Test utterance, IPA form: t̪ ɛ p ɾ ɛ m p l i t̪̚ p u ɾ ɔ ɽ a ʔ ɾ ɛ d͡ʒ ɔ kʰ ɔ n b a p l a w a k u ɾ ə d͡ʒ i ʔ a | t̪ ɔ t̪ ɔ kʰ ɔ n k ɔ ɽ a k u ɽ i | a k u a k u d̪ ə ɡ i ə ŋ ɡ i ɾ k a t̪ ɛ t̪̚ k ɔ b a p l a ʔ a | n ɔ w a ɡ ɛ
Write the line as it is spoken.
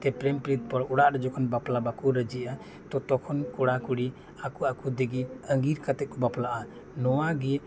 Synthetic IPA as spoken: t̪ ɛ p ɾ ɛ m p ɾ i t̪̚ p ɔ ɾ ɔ ɽ a ʔ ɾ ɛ d͡ʒ ɔ kʰ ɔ n b a p l a b a k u ɾ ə d͡ʒ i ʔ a | t̪ ɔ t̪ ɔ kʰ ɔ n k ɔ ɽ a k u ɽ i | a k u a k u d̪ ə ɡ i ə ŋ ɡ i ɾ k a t̪ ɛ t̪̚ k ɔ b a p l a ʔ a | n ɔ w a ɡ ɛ